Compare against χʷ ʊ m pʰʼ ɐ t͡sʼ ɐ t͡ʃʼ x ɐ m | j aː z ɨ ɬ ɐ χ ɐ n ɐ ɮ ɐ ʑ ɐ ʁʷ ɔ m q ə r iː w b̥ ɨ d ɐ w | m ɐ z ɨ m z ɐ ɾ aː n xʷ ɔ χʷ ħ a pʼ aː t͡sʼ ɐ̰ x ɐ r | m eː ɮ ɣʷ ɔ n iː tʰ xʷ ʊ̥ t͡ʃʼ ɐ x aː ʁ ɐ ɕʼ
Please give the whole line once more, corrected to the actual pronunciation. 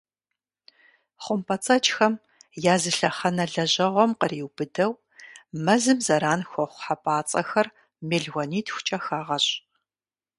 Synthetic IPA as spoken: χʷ ʊ m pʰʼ ɐ t͡sʼ ɐ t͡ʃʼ x ɐ m | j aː z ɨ ɬ ɐ χ ɐ n ɐ ɮ ɐ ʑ ɐ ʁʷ ɔ m q ə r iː w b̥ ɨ d ɐ w | m ɐ z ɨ m z ɐ ɾ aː n xʷ ɔ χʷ ħ a pʼ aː t͡sʼ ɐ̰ x ɐ r | m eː ɮ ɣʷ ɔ n iː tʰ xʷ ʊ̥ t͡ʃʼ ɐ x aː ʁ ɐ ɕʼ

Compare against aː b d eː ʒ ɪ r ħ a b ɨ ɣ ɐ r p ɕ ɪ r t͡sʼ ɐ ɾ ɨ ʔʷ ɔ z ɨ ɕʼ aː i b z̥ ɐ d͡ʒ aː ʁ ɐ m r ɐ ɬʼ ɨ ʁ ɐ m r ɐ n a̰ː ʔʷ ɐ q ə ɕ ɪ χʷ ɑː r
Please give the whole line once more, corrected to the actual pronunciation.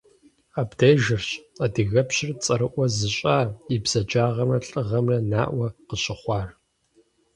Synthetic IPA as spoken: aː b d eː ʒ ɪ r ɕ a d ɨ ɣ ɐ p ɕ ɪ r t͡sʼ ɐ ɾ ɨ ʔʷ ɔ z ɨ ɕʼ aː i b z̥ ɐ d͡ʒ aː ʁ ɐ m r ɐ ɬʼ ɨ ʁ ɐ m r ɐ n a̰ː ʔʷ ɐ q ə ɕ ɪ χʷ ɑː r

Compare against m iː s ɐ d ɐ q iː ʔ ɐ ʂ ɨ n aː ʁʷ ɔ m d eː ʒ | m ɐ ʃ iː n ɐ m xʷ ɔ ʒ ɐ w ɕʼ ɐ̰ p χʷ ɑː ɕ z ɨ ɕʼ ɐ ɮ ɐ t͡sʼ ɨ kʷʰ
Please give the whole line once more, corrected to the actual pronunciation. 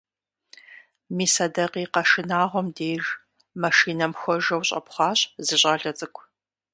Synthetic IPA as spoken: m iː s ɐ d ɐ q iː q ɐ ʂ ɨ n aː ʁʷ ɔ m d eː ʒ | m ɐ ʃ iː n ɐ m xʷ ɔ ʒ ɐ w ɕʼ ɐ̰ p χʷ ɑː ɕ z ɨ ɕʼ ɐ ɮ ɐ t͡sʼ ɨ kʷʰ

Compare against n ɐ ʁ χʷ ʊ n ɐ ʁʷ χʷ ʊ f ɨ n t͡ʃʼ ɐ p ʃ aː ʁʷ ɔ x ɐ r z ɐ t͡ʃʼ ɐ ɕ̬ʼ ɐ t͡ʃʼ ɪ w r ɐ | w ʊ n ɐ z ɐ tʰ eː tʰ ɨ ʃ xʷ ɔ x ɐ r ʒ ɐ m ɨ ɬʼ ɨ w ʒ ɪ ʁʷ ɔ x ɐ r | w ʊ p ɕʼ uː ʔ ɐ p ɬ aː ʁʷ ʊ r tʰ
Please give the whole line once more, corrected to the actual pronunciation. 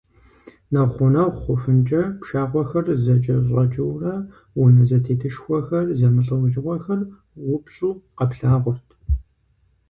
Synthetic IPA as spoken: n ɐ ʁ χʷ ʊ n ɐ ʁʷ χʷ ʊ f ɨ n t͡ʃʼ ɐ p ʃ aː ʁʷ ɔ x ɐ r z ɐ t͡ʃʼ ɐ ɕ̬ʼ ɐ t͡ʃʼ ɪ w r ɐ | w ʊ n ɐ z ɐ tʰ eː tʰ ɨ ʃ xʷ ɔ x ɐ r z ɐ m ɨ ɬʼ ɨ w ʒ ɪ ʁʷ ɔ x ɐ r | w ʊ p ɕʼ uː q ɐ p ɬ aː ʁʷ ʊ r tʰ

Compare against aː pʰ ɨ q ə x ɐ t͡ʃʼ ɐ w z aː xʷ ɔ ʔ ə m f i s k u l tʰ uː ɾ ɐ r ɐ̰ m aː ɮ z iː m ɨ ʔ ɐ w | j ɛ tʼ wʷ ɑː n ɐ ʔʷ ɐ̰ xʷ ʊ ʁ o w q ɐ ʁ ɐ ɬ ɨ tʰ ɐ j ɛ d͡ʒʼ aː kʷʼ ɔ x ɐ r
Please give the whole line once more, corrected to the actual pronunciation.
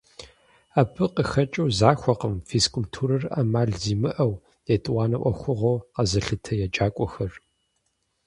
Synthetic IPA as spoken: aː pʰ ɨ q ə x ɐ t͡ʃʼ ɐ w z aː xʷ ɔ q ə m f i s k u l tʰ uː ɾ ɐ r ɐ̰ m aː ɮ z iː m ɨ ʔ ɐ w | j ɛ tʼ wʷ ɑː n ɐ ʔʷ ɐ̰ xʷ ʊ ʁ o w q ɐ z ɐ ɬ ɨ tʰ ɐ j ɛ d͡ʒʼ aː kʷʼ ɔ x ɐ r

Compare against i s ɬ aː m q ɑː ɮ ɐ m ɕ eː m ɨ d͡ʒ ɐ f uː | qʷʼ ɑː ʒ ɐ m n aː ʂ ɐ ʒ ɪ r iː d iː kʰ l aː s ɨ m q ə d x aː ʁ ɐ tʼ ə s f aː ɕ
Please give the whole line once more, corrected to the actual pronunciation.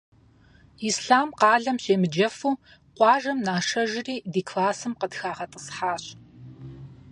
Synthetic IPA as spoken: i s ɬ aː m q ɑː ɮ ɐ m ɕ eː m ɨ d͡ʒ ɐ f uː | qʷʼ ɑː ʒ ɐ m n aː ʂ ɐ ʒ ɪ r iː d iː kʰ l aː s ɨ m q ə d x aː ʁ ɐ tʼ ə s ħ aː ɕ

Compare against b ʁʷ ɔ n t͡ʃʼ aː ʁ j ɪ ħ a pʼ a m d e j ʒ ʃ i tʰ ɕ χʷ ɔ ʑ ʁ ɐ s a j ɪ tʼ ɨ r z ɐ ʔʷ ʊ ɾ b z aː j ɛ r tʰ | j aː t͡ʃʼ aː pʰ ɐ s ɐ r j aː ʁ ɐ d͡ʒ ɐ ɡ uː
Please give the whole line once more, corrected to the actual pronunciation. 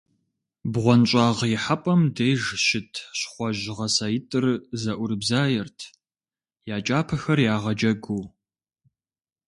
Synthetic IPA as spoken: b ʁʷ ɔ n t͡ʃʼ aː ʁ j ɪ ħ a pʼ ɐ m d e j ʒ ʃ ɪ tʰ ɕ χʷ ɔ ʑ ʁ ɐ s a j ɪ tʼ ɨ r z ɐ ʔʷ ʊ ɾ b z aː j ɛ r tʰ | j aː t͡ʃʼ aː pʰ ɐ x ɐ r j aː ʁ ɐ d͡ʒ ɐ ɡ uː

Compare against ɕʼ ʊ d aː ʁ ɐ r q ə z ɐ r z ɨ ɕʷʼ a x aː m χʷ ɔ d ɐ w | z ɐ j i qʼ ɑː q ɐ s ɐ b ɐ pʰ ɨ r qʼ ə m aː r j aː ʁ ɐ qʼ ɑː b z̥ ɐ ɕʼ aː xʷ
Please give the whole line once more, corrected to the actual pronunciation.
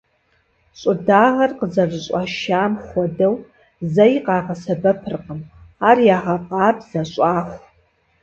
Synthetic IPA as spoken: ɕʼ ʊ d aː ʁ ɐ r q ə z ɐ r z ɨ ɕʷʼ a ʃ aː m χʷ ɔ d ɐ w | z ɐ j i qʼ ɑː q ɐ s ɐ b ɐ pʰ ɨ r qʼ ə m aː r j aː ʁ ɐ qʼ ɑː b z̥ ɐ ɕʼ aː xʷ

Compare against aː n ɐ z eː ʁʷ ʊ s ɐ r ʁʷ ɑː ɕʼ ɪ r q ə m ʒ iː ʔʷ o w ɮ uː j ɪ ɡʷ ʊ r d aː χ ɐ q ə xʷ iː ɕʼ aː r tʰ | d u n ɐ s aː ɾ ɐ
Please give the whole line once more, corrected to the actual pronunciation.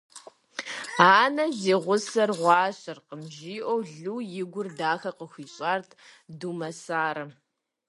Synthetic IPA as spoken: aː n ɐ z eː ʁʷ ʊ s ɐ r ʁʷ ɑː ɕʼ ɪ r q ə m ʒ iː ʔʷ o w ɮ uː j ɪ ɡʷ ʊ r d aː x ɐ q ə xʷ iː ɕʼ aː r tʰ | d u m ɐ s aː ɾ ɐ

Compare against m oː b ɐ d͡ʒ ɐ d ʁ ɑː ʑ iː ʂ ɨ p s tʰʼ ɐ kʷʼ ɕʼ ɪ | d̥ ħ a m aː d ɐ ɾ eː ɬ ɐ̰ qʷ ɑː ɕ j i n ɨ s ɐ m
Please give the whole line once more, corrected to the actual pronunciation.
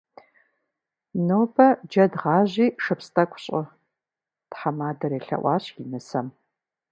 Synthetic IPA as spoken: n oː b ɐ d͡ʒ ɐ d ʁ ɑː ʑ iː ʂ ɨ p s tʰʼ ɐ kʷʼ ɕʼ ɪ | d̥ ħ a m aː d ɐ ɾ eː ɬ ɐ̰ ʔʷ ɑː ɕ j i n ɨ s ɐ m

